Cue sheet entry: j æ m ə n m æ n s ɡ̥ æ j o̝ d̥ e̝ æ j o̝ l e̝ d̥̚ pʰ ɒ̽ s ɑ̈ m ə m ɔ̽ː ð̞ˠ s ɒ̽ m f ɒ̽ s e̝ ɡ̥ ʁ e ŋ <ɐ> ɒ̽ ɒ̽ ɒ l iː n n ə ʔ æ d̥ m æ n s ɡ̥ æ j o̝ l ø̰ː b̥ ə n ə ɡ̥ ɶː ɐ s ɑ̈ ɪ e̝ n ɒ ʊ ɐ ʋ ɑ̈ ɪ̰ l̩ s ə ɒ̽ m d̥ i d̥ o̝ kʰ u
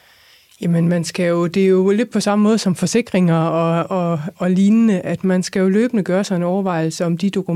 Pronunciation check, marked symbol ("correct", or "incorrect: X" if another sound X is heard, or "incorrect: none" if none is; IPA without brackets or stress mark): correct